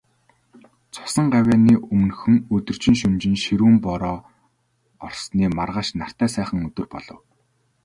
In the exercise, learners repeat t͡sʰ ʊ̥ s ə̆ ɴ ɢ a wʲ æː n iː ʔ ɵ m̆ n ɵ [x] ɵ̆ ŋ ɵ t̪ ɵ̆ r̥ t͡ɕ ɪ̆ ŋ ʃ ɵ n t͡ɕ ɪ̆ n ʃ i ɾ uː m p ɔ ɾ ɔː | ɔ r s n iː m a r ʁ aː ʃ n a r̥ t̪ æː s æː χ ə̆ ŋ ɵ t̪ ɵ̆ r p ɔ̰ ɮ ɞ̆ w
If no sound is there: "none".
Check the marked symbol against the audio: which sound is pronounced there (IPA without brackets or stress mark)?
x